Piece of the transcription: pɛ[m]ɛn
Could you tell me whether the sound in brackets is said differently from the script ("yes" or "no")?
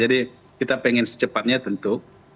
yes